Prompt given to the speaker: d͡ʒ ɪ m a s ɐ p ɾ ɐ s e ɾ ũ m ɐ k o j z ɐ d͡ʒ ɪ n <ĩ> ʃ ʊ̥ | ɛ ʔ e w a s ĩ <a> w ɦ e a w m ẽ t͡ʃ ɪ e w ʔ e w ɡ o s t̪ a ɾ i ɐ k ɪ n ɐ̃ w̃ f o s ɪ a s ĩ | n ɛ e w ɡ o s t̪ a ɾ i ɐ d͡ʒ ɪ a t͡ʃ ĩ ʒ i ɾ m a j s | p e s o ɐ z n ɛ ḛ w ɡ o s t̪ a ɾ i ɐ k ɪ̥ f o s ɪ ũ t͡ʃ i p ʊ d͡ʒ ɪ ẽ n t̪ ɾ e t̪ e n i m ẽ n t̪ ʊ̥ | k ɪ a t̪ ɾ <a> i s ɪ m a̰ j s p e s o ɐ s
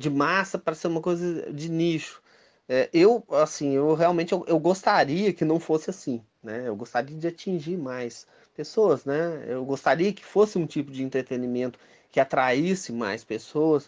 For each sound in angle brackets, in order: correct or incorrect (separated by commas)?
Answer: incorrect, incorrect, correct